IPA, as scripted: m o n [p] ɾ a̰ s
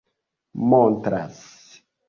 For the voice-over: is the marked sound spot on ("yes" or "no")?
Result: no